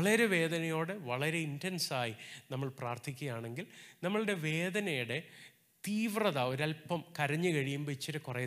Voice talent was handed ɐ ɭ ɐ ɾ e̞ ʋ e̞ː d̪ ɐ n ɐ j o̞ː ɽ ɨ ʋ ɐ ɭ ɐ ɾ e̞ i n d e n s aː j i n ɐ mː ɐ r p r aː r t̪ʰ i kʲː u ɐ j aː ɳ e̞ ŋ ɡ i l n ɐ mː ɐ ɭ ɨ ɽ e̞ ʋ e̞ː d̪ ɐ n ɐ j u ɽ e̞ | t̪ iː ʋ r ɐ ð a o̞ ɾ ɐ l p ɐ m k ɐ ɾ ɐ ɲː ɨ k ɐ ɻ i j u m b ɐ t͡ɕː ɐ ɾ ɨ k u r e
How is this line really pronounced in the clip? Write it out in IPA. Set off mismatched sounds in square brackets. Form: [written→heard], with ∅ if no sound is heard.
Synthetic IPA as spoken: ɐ ɭ ɐ ɾ e̞ ʋ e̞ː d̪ ɐ n ɐ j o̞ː ɽ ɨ ʋ ɐ ɭ ɐ ɾ e̞ i n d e n s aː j i n ɐ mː ɐ [r→ɭ] p r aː r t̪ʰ i kʲː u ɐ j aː ɳ e̞ ŋ ɡ i l n ɐ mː ɐ ɭ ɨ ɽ e̞ ʋ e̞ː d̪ ɐ n ɐ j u ɽ e̞ | t̪ iː ʋ r ɐ ð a o̞ ɾ ɐ l p ɐ m k ɐ ɾ ɐ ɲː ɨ k ɐ ɻ i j u m b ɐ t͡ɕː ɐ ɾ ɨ k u r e